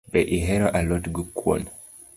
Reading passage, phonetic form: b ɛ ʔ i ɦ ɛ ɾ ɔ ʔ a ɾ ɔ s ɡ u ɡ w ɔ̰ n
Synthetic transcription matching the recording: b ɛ ʔ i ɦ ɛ ɾ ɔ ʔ a l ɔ t ɡ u k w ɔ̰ n